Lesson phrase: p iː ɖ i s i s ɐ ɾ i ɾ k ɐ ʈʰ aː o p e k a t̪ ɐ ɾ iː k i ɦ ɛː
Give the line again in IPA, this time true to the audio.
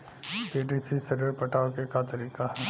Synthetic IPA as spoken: p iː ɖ i s i s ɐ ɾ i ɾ p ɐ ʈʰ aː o k e k a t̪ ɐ ɾ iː k a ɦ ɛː